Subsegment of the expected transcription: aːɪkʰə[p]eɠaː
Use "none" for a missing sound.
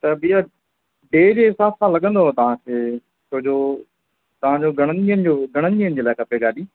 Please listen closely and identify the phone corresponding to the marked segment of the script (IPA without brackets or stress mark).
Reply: p